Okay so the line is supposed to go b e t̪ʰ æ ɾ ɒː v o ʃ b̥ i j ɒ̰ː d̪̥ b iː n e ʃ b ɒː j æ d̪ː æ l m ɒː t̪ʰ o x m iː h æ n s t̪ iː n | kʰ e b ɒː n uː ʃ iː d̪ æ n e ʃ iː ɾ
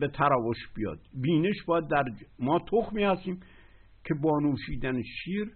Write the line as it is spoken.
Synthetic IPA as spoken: b e t̪ʰ æ ɾ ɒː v o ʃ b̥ i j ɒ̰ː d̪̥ b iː n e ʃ b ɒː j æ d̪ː æ ɾ m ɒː t̪ʰ o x m iː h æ s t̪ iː m | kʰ e b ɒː n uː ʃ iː d̪ æ n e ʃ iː ɾ